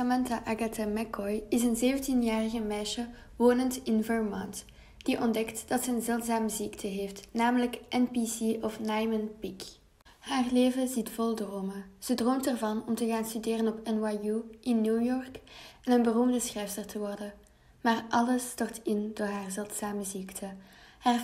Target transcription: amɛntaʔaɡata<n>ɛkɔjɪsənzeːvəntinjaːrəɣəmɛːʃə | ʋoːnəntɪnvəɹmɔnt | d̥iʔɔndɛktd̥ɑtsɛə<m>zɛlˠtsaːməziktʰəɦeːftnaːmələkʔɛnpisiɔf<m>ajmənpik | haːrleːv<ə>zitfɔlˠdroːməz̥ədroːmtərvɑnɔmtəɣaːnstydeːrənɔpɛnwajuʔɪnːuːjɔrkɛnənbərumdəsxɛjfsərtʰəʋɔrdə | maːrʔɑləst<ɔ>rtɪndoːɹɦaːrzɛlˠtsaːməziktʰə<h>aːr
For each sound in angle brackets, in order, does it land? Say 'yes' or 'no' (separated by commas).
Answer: no, no, no, yes, yes, yes